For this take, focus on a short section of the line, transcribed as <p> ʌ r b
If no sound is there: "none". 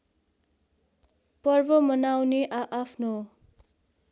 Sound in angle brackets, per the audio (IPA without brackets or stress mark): p